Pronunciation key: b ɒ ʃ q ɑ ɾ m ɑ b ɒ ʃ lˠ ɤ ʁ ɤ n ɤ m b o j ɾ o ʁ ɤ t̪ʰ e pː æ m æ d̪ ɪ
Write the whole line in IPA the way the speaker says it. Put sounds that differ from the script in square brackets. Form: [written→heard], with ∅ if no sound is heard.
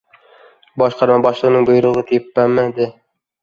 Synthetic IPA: b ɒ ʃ q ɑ ɾ m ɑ b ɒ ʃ lˠ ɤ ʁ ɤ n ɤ [m→ŋ] b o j ɾ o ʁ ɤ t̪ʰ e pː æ m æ d̪ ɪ